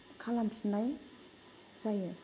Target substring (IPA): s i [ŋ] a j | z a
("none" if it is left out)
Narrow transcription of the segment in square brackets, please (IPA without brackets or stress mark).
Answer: n